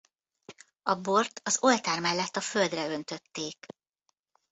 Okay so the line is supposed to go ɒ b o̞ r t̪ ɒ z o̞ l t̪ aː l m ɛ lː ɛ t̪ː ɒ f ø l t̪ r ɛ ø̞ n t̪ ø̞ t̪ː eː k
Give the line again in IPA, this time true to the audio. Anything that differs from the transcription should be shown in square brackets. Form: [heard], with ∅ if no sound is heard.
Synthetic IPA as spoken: ɒ b o̞ r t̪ ɒ z o̞ l t̪ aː [r] m ɛ lː ɛ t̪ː ɒ f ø l [d̪] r ɛ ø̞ n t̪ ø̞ t̪ː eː k